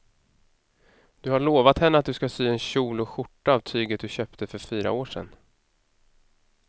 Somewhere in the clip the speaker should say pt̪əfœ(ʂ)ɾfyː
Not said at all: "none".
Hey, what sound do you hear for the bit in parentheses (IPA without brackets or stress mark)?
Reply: none